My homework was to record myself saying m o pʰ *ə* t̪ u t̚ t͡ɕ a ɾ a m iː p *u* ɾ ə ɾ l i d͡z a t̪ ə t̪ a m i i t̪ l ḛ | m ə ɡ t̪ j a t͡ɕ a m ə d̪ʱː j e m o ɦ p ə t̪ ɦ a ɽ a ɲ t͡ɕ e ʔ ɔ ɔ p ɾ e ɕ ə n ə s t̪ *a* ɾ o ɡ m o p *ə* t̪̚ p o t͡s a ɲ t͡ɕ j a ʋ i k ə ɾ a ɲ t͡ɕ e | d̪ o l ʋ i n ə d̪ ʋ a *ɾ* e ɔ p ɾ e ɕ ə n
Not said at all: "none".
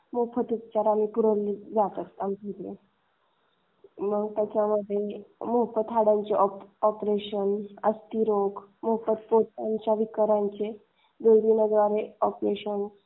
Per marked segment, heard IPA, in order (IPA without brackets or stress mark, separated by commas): ə, u, i, ə, ɾ